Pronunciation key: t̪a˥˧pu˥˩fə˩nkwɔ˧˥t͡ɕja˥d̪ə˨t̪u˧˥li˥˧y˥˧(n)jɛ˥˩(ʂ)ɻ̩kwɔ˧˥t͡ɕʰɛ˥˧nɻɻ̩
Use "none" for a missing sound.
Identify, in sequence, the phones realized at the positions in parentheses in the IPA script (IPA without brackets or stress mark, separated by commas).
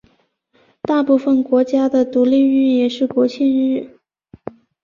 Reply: n, ʂ